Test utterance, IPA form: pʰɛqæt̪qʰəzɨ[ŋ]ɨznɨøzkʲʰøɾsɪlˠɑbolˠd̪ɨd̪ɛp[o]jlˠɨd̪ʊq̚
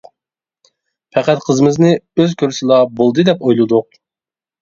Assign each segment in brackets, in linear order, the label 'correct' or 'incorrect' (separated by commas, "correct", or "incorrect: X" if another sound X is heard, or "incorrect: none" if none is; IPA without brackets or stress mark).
incorrect: m, correct